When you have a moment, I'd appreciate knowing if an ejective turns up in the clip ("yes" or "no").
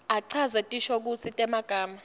yes